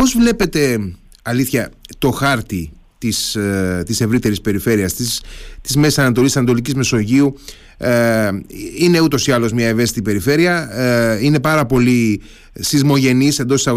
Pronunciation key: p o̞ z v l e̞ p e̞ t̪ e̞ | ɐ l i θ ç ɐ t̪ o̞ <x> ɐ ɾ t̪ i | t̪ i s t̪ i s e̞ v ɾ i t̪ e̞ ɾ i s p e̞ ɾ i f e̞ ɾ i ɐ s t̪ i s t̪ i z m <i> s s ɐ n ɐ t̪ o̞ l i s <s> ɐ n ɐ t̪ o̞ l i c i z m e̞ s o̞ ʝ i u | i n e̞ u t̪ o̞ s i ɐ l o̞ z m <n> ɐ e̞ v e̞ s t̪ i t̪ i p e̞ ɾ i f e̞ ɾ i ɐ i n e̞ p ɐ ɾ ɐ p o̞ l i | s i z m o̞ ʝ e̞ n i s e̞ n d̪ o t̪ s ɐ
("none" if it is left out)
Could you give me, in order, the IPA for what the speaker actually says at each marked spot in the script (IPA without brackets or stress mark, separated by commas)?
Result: x, e, s, ɲ